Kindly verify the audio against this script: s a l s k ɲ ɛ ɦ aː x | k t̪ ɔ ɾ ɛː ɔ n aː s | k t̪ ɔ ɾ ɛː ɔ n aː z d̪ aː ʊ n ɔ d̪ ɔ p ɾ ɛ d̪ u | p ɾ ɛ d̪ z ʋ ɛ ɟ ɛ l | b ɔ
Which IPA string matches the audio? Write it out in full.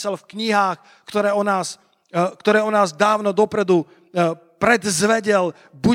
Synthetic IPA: s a l f k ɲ i ɦ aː x | k t̪ ɔ ɾ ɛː ɔ n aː s | k t̪ ɔ ɾ ɛː ɔ n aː z d̪ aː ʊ n ɔ d̪ ɔ p ɾ ɛ d̪ u | p ɾ ɛ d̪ z ʋ ɛ ɟ ɛ l | b u